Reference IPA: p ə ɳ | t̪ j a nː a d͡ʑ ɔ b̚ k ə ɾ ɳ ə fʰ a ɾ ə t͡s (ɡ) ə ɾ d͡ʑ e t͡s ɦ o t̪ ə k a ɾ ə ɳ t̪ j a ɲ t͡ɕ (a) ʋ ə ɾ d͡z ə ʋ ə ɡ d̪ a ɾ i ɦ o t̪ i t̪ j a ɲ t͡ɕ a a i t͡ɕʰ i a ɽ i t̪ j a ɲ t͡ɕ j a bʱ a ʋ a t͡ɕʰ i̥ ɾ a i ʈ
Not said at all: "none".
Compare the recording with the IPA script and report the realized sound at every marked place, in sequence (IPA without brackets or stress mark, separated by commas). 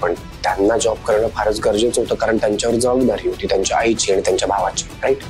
ɡ, a